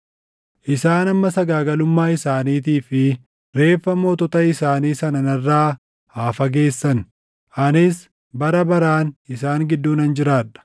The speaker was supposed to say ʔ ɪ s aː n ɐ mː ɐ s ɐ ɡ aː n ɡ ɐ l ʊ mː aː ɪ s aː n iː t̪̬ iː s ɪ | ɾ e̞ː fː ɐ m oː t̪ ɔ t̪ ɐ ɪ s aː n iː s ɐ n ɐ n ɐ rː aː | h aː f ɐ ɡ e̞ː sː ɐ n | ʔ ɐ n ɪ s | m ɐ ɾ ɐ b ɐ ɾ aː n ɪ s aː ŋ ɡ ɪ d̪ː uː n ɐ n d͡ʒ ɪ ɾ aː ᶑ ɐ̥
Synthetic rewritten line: ʔ ɪ s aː n ɐ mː ɐ s ɐ ɡ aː ɡ ɐ l ʊ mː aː ɪ s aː n iː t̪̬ iː f ɪ | ɾ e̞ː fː ɐ m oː t̪ ɔ t̪ ɐ ɪ s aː n iː s ɐ n ɐ n ɐ rː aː | h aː f ɐ ɡ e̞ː sː ɐ n | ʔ ɐ n ɪ s | b ɐ ɾ ɐ b ɐ ɾ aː n ɪ s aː ŋ ɡ ɪ d̪ː uː n ɐ n d͡ʒ ɪ ɾ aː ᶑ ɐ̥

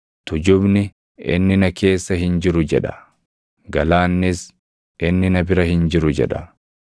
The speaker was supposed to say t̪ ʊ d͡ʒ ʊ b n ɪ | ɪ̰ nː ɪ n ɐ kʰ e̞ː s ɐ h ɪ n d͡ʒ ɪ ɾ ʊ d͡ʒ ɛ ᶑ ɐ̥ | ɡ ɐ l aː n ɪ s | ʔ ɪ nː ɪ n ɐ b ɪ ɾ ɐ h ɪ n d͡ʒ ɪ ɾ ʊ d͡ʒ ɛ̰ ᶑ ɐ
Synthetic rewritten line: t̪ ʊ d͡ʒ ʊ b n ɪ | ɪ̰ nː ɪ n ɐ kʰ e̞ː sː ɐ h ɪ n d͡ʒ ɪ ɾ ʊ d͡ʒ ɛ ᶑ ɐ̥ | ɡ ɐ l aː nː ɪ s | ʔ ɪ nː ɪ n ɐ b ɪ ɾ ɐ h ɪ n d͡ʒ ɪ ɾ ʊ d͡ʒ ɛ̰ ᶑ ɐ

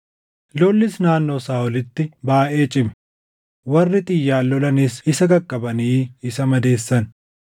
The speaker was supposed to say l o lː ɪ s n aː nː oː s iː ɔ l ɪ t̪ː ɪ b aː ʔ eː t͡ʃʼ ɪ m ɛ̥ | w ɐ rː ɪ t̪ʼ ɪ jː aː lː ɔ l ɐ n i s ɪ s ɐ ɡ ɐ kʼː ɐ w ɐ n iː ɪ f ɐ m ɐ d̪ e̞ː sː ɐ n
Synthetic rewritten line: l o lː ɪ s n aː nː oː s aː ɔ l ɪ t̪ː ɪ b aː ʔ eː t͡ʃʼ ɪ m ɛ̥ | w ɐ rː ɪ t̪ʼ ɪ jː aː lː ɔ l ɐ n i s ɪ s ɐ ɡ ɐ kʼː ɐ b ɐ n iː ɪ s ɐ m ɐ d̪ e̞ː sː ɐ n

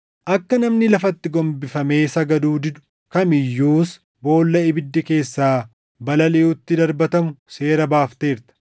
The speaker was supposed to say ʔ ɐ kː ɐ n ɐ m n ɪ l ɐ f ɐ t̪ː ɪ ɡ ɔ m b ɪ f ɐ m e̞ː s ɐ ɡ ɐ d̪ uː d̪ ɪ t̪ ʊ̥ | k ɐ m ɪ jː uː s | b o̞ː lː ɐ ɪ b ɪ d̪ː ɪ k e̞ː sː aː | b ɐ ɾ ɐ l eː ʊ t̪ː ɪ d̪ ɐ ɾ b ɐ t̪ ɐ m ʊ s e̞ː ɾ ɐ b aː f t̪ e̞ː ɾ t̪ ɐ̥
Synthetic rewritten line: ʔ ɐ kː ɐ n ɐ m n ɪ l ɐ f ɐ t̪ː ɪ ɡ ɔ m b ɪ f ɐ m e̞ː s ɐ ɡ ɐ d̪ uː d̪ ɪ d̪ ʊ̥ | k ɐ m ɪ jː uː s | b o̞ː lː ɐ ɪ b ɪ d̪ː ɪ k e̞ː sː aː | b ɐ l ɐ l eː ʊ t̪ː ɪ d̪ ɐ ɾ b ɐ t̪ ɐ m ʊ s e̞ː ɾ ɐ b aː f t̪ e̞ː ɾ t̪ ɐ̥

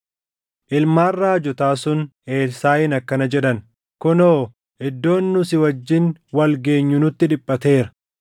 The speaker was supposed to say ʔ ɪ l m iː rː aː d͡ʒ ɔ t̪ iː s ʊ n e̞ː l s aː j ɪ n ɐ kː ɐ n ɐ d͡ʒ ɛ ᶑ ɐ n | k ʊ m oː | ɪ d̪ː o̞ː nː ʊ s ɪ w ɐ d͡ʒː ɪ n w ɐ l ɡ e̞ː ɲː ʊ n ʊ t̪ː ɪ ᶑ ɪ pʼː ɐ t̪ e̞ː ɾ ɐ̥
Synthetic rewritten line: ʔ ɪ l m aː rː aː d͡ʒ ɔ t̪ aː s ʊ n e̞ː l s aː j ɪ n ɐ kː ɐ n ɐ d͡ʒ ɛ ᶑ ɐ n | k ʊ n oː | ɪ d̪ː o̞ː nː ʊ s ɪ w ɐ d͡ʒː ɪ n w ɐ l ɡ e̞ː ɲː ʊ n ʊ t̪ː ɪ ᶑ ɪ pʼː ɐ t̪ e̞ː ɾ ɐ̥

